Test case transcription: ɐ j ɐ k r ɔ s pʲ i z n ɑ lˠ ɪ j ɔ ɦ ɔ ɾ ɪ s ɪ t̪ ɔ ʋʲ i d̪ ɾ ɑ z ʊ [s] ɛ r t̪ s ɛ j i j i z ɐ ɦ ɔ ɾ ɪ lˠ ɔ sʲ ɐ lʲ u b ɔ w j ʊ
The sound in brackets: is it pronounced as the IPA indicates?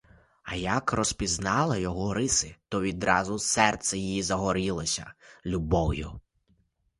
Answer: yes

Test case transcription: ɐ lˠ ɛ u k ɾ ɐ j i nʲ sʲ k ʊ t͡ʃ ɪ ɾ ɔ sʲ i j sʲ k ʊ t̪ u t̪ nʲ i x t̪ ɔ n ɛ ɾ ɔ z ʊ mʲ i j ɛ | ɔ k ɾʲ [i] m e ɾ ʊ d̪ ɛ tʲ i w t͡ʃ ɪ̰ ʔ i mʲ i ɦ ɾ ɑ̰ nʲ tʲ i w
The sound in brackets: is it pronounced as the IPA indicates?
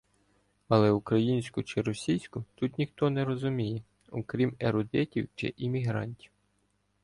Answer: yes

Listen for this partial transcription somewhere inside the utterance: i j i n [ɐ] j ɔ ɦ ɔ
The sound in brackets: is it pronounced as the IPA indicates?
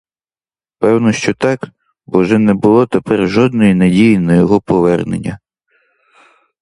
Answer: yes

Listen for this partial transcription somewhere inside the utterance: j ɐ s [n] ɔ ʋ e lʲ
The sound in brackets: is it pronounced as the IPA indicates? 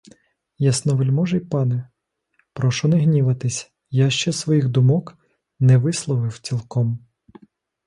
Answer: yes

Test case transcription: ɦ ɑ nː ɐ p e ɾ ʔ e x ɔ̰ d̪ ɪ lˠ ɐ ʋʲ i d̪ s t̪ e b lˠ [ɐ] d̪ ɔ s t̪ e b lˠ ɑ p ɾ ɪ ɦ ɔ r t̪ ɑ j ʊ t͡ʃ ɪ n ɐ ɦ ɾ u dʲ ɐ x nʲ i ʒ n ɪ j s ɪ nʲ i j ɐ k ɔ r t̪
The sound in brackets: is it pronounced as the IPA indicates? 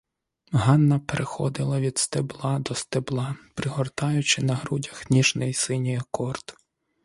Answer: no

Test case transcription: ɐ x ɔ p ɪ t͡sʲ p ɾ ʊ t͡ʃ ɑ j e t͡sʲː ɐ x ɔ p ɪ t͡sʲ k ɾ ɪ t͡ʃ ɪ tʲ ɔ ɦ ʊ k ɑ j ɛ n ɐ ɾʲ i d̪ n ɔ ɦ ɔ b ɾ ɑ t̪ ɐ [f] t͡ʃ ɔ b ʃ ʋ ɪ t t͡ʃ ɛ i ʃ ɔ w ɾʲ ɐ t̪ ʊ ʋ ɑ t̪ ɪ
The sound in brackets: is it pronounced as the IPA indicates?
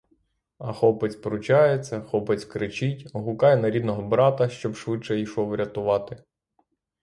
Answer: no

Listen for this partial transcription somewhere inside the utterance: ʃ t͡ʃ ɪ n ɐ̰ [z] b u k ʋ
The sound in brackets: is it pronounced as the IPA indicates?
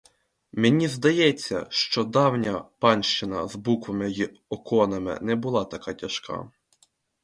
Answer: yes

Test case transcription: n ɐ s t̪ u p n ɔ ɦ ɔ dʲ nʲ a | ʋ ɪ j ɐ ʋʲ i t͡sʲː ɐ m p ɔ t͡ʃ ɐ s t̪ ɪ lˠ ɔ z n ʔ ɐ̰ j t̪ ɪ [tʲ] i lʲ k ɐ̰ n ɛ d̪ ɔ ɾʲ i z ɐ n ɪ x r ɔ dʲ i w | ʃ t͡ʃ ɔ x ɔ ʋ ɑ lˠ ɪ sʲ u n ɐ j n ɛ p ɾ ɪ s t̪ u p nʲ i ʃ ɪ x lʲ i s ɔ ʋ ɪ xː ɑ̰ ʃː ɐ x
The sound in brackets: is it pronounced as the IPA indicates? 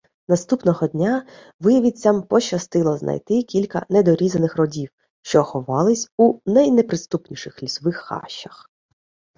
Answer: no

